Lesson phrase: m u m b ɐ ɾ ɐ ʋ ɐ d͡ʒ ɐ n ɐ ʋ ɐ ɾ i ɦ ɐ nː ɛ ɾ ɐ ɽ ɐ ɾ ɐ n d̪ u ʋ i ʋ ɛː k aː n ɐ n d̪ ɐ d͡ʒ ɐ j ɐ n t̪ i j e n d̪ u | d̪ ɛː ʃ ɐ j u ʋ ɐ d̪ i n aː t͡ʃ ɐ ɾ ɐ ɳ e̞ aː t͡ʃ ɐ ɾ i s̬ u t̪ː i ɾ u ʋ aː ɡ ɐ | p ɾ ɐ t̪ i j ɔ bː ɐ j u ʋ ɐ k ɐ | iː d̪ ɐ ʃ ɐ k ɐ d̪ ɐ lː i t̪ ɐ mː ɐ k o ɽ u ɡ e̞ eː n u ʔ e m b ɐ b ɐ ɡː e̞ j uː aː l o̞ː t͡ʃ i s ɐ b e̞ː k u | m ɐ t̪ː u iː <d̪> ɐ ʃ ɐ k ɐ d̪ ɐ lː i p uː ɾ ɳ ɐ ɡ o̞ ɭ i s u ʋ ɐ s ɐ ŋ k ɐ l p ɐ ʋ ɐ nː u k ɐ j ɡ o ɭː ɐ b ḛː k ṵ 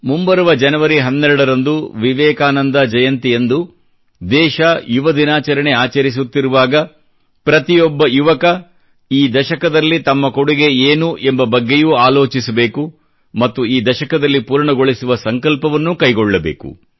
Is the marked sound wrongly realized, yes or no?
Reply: no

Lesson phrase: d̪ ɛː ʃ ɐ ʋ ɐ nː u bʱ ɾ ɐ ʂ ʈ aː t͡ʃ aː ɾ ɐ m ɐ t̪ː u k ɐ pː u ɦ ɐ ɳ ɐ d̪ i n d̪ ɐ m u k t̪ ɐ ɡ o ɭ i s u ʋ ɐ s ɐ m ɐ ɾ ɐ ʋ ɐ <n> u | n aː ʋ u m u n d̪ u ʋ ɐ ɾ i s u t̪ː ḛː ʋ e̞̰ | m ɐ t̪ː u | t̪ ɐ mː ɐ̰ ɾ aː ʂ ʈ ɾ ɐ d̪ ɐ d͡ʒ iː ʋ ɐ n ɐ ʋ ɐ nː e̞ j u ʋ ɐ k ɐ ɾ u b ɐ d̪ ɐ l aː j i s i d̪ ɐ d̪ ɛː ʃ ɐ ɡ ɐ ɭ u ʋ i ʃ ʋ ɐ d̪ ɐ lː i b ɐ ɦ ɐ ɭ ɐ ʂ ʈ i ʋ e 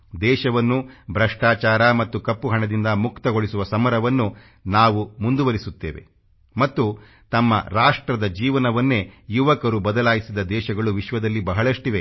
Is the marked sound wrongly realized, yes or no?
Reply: yes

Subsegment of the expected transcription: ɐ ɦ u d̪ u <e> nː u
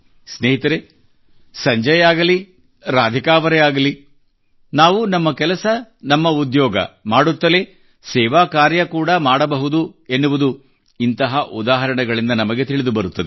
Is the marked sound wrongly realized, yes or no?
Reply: no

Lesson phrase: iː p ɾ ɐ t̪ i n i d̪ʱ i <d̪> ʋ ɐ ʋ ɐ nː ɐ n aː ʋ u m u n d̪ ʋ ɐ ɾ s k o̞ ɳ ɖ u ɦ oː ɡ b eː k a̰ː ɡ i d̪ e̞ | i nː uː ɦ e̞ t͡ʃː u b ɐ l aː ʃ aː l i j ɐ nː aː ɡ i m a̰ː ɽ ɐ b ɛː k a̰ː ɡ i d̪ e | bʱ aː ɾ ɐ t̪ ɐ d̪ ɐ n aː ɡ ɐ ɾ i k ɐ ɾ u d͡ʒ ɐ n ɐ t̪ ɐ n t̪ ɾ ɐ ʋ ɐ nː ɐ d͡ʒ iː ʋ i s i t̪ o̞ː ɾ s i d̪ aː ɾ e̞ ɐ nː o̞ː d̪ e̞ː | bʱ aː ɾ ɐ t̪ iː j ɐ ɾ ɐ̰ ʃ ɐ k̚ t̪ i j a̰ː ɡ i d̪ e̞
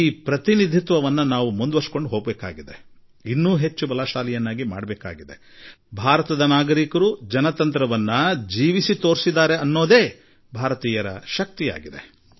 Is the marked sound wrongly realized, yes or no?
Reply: yes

